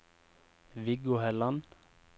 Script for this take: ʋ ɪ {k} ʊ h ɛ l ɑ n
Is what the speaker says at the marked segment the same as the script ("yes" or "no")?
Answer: no